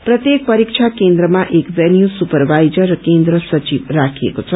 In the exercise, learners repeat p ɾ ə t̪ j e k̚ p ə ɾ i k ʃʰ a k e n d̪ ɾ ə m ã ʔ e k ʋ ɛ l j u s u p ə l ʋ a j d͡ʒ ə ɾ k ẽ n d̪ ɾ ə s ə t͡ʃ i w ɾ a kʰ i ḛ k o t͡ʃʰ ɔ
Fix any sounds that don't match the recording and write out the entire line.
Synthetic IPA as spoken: p ɾ ə t̪ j e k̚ p ə ɾ i k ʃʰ a k e n d̪ ɾ ə m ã ʔ e k ʋ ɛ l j u s u p ə ɾ ʋ a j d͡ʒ ə ɾ k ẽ n d̪ ɾ ə s ə t͡ʃ i ʋ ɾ a kʰ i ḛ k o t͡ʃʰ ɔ